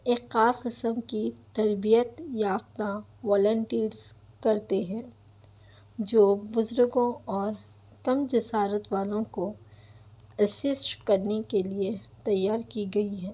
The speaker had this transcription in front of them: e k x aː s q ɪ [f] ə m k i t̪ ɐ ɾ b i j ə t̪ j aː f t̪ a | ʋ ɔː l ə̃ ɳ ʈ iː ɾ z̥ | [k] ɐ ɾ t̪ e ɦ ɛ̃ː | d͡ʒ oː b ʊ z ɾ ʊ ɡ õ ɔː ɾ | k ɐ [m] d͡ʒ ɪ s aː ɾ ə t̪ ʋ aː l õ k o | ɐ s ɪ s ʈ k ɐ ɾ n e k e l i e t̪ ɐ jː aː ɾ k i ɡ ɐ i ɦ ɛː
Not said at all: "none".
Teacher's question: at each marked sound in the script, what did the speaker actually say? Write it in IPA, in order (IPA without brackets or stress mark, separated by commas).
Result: s, k, m